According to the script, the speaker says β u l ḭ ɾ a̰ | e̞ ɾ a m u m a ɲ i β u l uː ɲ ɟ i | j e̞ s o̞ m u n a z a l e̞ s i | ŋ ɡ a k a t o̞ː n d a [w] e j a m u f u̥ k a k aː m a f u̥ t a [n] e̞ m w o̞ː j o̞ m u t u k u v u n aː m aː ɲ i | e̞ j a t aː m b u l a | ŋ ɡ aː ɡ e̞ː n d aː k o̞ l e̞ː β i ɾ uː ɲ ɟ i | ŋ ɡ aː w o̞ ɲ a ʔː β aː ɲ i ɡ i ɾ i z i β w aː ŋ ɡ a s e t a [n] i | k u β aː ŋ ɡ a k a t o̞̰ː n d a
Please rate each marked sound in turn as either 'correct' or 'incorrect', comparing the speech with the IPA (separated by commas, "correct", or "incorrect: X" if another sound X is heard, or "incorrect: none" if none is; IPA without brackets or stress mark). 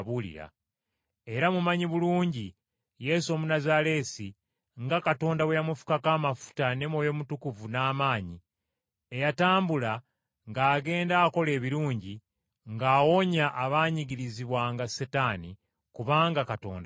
correct, correct, correct